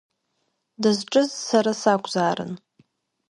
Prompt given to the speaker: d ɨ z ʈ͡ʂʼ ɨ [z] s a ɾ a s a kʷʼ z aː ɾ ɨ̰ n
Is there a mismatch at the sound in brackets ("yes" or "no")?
no